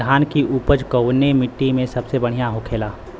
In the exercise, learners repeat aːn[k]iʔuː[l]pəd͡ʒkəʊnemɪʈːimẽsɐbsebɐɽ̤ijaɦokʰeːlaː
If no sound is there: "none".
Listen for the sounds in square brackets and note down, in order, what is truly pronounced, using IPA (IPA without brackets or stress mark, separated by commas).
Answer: k, none